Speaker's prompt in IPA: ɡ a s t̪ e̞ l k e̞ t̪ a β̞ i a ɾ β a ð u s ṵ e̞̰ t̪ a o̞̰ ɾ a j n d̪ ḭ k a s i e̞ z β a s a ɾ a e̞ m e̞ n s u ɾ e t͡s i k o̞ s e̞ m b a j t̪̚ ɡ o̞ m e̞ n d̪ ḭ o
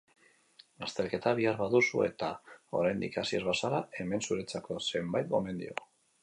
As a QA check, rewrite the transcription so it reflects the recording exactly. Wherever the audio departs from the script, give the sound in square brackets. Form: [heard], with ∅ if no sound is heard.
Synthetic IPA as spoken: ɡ a s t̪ e̞ l k e̞ t̪ a β̞ i a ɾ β a ð u s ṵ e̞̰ t̪ a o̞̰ ɾ a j n d̪ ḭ k a s i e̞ z β a s a ɾ a e̞ m e̞ n s u ɾ e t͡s [a] k o̞ s e̞ m b a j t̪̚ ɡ o̞ m e̞ n d̪ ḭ o